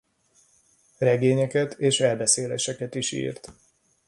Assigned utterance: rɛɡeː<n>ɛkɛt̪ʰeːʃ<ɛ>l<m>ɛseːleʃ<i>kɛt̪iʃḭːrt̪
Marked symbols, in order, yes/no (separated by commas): no, yes, no, no